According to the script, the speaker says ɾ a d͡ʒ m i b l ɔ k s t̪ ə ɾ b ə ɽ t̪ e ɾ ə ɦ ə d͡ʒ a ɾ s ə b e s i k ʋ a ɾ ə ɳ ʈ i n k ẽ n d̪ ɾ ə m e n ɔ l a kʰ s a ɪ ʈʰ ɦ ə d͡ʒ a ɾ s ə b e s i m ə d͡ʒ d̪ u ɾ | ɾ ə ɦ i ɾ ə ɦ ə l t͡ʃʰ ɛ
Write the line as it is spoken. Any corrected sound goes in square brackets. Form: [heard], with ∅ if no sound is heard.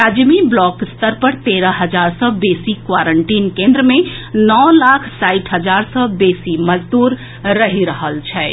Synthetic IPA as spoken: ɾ a d͡ʒ m i b l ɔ k s t̪ ə ɾ [p] ə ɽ t̪ e ɾ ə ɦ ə d͡ʒ a ɾ s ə b e s i k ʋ a ɾ ə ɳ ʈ i n k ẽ n d̪ ɾ ə m e n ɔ l a kʰ s a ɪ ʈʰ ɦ ə d͡ʒ a ɾ s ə b e s i m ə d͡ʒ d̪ u ɾ | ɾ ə ɦ i ɾ ə ɦ ə l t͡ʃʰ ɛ